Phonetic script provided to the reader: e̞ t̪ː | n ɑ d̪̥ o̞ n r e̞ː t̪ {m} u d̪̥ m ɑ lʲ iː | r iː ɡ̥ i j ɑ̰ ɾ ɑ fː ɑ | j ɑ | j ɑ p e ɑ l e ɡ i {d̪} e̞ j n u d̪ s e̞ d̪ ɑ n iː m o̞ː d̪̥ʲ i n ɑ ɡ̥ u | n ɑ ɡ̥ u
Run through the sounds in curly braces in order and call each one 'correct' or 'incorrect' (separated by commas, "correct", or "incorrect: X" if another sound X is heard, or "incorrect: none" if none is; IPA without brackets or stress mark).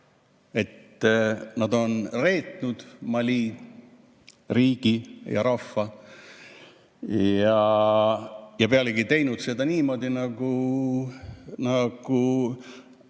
incorrect: n, incorrect: t̪